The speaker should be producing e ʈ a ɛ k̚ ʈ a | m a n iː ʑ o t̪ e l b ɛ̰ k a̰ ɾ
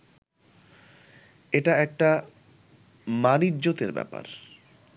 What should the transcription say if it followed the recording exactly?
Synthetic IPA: e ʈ a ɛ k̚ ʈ a | m a n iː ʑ o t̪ e ɾ b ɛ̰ p a̰ ɾ